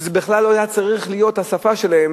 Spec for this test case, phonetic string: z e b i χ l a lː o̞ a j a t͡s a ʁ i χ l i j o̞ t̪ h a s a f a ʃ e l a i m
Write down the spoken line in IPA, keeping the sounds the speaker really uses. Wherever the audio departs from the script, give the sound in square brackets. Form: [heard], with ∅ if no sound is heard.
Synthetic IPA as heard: z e b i χ l a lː o̞ a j a t͡s a ʁ i χ l i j o̞ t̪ h a s a f a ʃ e l a [e] m